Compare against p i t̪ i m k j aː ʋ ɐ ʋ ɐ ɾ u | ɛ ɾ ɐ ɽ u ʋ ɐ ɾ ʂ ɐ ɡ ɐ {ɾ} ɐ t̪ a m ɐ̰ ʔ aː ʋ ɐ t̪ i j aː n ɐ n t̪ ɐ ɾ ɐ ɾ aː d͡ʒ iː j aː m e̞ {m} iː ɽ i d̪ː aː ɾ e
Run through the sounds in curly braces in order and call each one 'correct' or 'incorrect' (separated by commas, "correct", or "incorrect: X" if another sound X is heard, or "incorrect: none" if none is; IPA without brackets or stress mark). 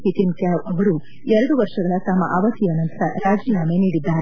incorrect: ɭ, incorrect: n